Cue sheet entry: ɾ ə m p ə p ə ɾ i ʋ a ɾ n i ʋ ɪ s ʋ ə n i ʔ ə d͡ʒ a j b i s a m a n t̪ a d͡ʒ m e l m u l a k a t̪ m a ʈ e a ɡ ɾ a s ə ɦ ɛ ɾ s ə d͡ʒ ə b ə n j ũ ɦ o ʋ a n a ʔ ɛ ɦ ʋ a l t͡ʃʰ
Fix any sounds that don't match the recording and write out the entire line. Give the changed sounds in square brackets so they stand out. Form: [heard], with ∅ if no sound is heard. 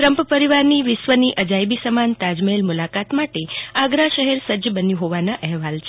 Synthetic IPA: ɾ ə m p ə p ə ɾ i ʋ a ɾ n i ʋ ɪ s ʋ ə n i ʔ ə d͡ʒ a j b i s [ə] m a n t̪ a d͡ʒ m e l m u l a k a t̪ m a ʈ e a ɡ ɾ a [ʃ] ə ɦ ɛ ɾ s ə d͡ʒ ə b ə n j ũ ɦ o ʋ a n a ʔ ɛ ɦ ʋ a l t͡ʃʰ